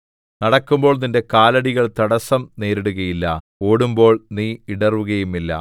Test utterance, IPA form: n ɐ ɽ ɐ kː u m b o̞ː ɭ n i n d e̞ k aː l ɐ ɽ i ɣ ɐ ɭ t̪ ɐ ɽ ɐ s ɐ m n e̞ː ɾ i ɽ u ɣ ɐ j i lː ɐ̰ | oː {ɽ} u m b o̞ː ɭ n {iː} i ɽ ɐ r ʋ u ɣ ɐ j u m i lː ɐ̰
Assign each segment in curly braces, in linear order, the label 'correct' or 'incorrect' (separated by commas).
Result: correct, correct